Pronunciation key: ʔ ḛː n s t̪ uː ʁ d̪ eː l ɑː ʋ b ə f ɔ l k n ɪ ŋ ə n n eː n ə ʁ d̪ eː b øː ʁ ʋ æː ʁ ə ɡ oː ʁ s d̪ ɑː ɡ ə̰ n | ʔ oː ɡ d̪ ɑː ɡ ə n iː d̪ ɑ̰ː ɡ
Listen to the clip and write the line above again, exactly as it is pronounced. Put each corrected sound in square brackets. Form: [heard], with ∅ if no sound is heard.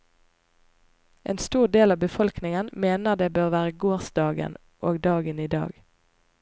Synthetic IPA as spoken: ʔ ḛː n s t̪ uː ʁ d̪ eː l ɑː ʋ b ə f ɔ l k n ɪ ŋ ə n [m] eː n ə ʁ d̪ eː b øː ʁ ʋ æː ʁ ə ɡ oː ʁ s d̪ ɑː ɡ ə̰ n | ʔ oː ɡ d̪ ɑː ɡ ə n iː d̪ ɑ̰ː ɡ